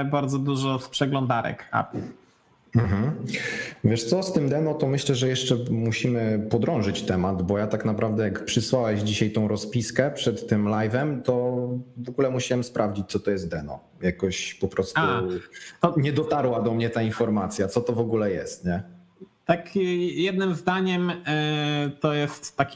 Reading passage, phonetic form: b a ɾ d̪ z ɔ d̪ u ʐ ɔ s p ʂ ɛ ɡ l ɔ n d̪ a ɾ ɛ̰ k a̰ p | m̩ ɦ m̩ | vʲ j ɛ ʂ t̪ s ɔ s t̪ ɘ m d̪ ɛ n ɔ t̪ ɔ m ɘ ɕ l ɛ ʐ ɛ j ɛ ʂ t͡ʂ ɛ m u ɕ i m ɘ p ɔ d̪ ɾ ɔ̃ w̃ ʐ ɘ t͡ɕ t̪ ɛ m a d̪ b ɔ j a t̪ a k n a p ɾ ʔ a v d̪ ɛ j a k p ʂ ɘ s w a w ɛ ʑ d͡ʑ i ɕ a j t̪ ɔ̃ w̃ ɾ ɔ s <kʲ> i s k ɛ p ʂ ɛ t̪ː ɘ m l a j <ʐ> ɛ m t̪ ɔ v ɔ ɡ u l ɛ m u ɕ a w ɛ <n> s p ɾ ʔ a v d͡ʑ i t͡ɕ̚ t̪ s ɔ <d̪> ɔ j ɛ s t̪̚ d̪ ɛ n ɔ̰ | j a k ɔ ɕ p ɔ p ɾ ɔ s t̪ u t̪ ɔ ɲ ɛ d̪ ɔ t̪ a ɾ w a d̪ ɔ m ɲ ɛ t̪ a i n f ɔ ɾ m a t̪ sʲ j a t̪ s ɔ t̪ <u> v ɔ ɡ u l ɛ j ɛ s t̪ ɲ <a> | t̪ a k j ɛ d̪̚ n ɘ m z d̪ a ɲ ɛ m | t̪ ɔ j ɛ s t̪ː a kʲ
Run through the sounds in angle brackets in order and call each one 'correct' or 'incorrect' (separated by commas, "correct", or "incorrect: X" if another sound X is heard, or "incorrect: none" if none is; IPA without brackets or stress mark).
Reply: incorrect: pʲ, incorrect: v, incorrect: m, incorrect: t̪, incorrect: ɔ, incorrect: ɛ